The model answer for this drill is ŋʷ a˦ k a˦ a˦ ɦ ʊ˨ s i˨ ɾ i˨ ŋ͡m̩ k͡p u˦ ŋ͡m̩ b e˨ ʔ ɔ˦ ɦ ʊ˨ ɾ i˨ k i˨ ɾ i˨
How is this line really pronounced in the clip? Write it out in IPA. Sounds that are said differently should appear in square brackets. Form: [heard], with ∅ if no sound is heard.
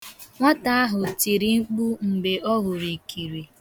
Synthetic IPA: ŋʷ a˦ [t] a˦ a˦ ɦ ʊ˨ [t] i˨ ɾ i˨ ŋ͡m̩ k͡p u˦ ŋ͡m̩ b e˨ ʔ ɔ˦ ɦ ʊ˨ ɾ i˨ k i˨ ɾ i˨